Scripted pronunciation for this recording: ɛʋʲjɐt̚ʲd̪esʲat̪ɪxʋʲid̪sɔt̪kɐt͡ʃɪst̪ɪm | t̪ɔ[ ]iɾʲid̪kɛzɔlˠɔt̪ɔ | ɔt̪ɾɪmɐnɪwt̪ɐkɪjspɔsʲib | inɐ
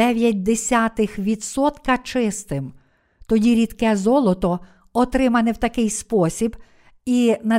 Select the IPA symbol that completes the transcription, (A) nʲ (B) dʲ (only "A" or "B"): B